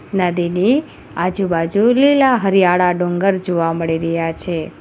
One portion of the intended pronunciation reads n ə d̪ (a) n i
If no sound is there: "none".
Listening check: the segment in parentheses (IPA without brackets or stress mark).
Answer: i